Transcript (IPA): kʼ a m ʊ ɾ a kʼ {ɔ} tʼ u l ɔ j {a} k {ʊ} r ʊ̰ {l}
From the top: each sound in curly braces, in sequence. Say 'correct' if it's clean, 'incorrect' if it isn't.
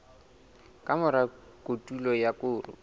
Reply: incorrect: o, correct, incorrect: ʊː, incorrect: none

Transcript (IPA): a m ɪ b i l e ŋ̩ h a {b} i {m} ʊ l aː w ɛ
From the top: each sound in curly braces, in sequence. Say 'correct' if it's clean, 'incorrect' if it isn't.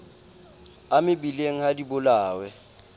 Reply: incorrect: d, incorrect: b

